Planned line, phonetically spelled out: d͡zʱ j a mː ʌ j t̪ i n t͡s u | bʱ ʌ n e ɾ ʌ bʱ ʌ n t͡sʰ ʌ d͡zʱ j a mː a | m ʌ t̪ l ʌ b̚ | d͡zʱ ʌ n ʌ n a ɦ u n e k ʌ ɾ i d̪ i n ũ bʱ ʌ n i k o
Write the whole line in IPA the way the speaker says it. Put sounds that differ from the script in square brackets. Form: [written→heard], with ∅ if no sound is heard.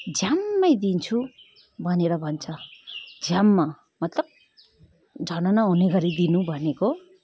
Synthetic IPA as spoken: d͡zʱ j a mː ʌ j [t̪→d̪] i n [t͡s→t͡sʰ] u | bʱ ʌ n e ɾ ʌ bʱ ʌ n t͡sʰ ʌ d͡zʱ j a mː a | m ʌ t̪ l ʌ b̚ | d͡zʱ ʌ n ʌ n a ɦ u n e [k→ɡ] ʌ ɾ i d̪ i n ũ bʱ ʌ n [i→e] k o

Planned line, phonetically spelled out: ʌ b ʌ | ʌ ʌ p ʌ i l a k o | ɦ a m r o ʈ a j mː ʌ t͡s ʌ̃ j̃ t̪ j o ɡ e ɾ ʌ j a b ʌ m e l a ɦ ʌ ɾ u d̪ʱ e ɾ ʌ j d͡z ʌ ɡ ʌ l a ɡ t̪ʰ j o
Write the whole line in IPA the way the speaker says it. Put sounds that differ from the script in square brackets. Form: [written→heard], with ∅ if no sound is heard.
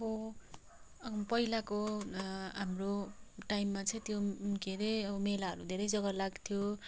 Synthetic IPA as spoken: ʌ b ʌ | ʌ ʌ p ʌ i l a k o | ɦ a m r o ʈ a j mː [ʌ→a] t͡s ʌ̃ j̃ t̪ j o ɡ e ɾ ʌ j [a→ʌ] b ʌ m e l a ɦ ʌ ɾ u d̪ʱ e ɾ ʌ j d͡z ʌ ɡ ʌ l a ɡ t̪ʰ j o

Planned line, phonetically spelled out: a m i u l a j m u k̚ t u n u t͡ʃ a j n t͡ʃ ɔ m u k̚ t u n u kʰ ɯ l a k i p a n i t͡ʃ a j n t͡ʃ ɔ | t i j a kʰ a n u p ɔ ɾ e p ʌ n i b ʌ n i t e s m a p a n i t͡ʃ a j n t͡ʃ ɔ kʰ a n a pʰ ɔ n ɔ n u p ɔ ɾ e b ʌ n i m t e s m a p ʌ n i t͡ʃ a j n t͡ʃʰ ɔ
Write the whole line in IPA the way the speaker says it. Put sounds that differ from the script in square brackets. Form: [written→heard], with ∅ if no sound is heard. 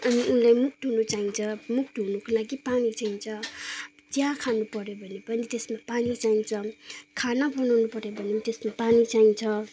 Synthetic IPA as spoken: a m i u l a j m u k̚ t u n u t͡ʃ a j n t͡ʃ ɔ m u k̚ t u n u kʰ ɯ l a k i p a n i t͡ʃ a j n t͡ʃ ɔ | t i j a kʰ a n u p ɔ ɾ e [p→b] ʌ n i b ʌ n i t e s m a p a n i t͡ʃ a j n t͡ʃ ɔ kʰ a n a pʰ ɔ n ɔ n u p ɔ ɾ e b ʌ n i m t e s m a p [ʌ→a] n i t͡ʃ a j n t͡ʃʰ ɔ

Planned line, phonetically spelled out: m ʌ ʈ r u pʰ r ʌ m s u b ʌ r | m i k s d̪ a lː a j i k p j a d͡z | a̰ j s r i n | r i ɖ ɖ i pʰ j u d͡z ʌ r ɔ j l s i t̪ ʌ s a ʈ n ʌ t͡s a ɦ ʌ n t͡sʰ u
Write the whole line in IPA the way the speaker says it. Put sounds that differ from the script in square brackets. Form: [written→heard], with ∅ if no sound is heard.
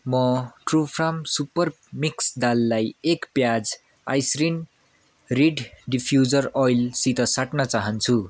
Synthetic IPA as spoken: m ʌ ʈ r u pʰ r [ʌ→a] m s u [b→p] ʌ r | m i k s d̪ a lː a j [i→e] k p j a d͡z | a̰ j s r i n | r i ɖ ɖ i pʰ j u d͡z ʌ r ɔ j l s i t̪ ʌ s a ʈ n ʌ t͡s a ɦ ʌ n t͡sʰ u

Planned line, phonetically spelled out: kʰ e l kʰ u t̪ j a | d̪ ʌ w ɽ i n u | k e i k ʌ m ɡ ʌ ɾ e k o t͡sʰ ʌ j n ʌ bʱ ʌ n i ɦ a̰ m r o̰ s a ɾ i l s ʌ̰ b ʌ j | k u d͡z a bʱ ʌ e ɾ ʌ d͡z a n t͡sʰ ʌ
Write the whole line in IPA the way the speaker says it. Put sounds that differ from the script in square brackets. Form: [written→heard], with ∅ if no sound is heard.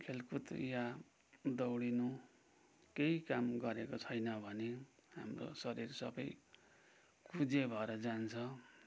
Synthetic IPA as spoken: kʰ e l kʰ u t̪ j a | d̪ ʌ w ɽ i n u | k e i k [ʌ→a] m ɡ ʌ ɾ e k o t͡sʰ ʌ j n ʌ bʱ ʌ n [i→e] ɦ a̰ m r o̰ s [a→ʌ] ɾ i [l→r] s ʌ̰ b ʌ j | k u d͡z [a→e] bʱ ʌ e ɾ ʌ d͡z a n t͡sʰ ʌ

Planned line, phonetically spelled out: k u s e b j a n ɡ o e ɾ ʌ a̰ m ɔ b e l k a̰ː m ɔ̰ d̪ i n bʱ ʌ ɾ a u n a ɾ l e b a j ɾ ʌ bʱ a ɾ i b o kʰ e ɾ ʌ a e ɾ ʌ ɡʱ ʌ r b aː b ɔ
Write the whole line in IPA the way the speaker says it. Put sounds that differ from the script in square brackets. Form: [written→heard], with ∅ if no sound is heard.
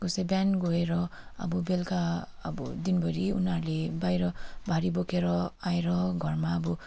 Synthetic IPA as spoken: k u s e b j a n ɡ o e ɾ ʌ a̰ [m→b] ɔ b e l k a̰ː [m→b] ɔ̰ d̪ i n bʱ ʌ ɾ [a→i] u n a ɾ l e b a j ɾ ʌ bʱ a ɾ i b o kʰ e ɾ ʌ a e ɾ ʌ ɡʱ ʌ r [b→m] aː b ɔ

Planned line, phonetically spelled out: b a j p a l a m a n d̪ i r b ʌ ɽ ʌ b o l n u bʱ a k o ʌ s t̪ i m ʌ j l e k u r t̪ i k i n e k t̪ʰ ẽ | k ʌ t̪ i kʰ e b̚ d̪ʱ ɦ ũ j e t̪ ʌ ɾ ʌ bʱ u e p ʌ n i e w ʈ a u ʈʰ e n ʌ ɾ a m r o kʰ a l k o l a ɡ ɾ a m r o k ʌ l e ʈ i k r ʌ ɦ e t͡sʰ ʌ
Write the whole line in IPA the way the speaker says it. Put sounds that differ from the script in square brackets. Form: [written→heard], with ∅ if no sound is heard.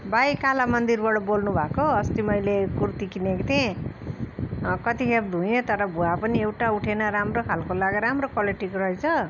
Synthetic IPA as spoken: b a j [p→k] a l a m [a→ʌ] n d̪ i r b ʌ ɽ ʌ b o l n u bʱ a k o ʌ s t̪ i m ʌ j l e k u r t̪ i k i n e k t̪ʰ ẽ | k ʌ t̪ i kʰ e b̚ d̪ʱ ɦ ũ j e t̪ ʌ ɾ ʌ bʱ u [e→a] p ʌ n i e w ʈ a u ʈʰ e n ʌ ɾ a m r o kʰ a l k o l a ɡ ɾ a m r o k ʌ l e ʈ i k r ʌ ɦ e t͡sʰ ʌ

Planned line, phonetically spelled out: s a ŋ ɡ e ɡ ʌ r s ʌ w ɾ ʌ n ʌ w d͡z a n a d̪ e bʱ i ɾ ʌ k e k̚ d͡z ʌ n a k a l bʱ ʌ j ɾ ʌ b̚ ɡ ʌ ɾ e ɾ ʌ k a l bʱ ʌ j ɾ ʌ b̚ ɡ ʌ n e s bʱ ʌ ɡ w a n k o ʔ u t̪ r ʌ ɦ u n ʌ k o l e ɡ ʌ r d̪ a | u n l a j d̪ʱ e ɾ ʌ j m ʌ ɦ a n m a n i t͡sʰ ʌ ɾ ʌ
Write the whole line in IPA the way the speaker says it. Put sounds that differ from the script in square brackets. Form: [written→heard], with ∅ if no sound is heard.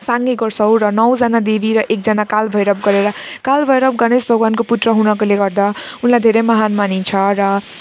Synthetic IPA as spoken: s a ŋ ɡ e ɡ ʌ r s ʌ w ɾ ʌ n ʌ w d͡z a n a d̪ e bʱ i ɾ ʌ [k→ʔ] e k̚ d͡z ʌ n a k a l bʱ ʌ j ɾ ʌ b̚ ɡ ʌ ɾ e ɾ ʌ k a l bʱ ʌ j ɾ ʌ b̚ ɡ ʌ n e s bʱ ʌ ɡ w a n k o [ʔ→p] u t̪ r ʌ ɦ u n ʌ k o l e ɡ ʌ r d̪ a | u n l a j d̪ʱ e ɾ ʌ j m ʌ ɦ a n m a n i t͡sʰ ʌ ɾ ʌ

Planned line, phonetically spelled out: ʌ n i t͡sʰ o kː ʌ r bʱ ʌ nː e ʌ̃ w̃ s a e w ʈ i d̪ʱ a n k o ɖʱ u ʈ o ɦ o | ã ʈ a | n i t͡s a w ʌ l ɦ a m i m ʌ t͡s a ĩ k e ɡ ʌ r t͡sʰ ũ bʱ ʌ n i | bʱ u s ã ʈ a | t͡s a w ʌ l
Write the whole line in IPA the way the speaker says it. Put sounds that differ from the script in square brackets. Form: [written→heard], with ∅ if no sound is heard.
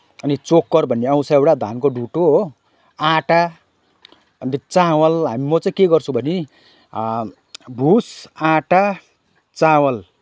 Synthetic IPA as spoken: ʌ n i [t͡sʰ→t͡s] o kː ʌ r bʱ ʌ nː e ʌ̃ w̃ s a e w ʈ [i→a] d̪ʱ a n k o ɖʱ u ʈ o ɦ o | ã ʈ a | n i t͡s a w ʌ l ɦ a m i m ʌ t͡s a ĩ k e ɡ ʌ r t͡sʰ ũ bʱ ʌ n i | bʱ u s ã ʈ a | t͡s a w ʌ l

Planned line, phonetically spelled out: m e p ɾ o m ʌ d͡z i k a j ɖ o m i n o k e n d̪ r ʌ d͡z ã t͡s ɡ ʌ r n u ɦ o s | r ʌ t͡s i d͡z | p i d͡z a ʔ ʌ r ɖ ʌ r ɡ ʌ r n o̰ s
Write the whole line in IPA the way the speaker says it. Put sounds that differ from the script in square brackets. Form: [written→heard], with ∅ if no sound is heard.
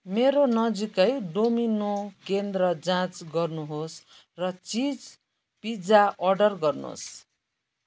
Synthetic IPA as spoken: m e [p→∅] ɾ o [m→n] ʌ d͡z i k [a→ʌ] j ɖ o m i n o k e n d̪ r ʌ d͡z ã t͡s ɡ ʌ r n u ɦ o s | r ʌ t͡s i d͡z | p i d͡z a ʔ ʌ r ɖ ʌ r ɡ ʌ r n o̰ s

